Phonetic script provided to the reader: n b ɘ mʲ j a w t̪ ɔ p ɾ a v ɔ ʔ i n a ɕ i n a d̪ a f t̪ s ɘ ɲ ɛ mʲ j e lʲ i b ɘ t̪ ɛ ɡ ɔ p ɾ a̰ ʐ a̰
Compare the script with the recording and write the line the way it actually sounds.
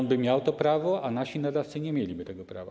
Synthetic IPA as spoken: n b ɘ mʲ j a w t̪ ɔ p ɾ a v ɔ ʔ a n a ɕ i n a d̪ a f t̪ s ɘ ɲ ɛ mʲ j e lʲ i b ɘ t̪ ɛ ɡ ɔ p ɾ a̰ v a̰